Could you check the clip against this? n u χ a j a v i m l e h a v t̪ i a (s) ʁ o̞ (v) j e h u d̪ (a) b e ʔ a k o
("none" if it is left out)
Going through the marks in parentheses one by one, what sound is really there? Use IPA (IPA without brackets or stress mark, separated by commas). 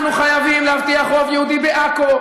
χ, v, i